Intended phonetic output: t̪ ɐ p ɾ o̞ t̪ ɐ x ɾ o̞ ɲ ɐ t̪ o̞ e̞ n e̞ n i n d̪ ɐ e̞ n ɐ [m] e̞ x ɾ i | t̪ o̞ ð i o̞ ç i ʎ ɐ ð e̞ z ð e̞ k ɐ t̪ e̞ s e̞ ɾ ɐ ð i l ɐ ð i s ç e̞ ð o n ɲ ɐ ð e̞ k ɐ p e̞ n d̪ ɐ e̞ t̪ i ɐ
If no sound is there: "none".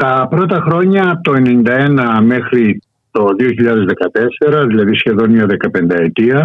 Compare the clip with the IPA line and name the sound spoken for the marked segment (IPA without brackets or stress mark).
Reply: m